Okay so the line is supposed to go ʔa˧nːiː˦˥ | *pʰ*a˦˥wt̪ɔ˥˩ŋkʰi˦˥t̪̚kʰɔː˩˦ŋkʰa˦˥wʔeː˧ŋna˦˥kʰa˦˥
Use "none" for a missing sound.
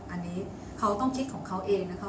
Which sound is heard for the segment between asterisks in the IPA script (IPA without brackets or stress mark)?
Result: kʰ